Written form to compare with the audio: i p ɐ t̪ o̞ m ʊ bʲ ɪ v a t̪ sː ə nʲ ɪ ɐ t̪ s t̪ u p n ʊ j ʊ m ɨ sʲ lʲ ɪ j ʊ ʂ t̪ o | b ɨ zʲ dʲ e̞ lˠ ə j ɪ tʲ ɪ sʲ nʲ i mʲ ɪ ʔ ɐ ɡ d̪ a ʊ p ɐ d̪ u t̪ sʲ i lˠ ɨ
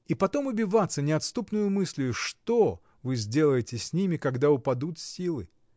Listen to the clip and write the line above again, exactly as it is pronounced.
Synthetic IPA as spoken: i p ɐ t̪ o̞ m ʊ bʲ ɪ v a t̪ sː ə nʲ ɪ ɐ t̪ s t̪ u p n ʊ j ʊ m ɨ sʲ lʲ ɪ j ʊ ʂ t̪ o | v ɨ zʲ dʲ e̞ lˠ ə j ɪ tʲ ɪ sʲ nʲ i mʲ ɪ k ɐ ɡ d̪ a ʊ p ɐ d̪ u t̪ sʲ i lˠ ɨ